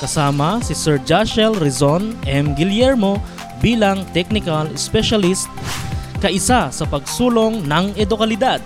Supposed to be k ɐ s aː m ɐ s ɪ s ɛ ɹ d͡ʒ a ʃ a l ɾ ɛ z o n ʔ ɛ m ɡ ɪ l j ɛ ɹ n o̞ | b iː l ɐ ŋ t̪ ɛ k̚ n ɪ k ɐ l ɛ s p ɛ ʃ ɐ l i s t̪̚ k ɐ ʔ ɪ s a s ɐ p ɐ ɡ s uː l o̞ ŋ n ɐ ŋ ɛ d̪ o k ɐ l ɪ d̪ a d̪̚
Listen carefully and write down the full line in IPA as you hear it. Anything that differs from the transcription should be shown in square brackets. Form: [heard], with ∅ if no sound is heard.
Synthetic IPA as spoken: k ɐ s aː m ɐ s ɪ s ɛ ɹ d͡ʒ a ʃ [ɛ] l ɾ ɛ z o n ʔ ɛ m ɡ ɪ l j ɛ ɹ [m] o̞ | b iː l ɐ ŋ t̪ ɛ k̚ n ɪ k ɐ l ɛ s p ɛ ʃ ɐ l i s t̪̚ k ɐ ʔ ɪ s a s ɐ p ɐ ɡ s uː l o̞ ŋ n ɐ ŋ ɛ d̪ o k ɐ l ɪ d̪ a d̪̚